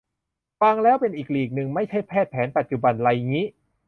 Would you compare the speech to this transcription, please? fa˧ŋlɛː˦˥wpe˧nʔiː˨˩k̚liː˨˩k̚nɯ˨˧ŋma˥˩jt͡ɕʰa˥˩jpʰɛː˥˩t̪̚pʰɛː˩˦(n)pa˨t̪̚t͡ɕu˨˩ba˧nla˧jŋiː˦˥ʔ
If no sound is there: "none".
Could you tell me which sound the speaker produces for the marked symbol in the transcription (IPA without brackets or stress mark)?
n